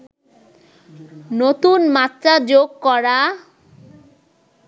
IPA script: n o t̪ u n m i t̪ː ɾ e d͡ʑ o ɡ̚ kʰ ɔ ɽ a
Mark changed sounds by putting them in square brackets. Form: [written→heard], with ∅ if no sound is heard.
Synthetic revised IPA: n o t̪ u n m [i→a] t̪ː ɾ [e→a] d͡ʑ o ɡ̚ [kʰ→k] ɔ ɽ a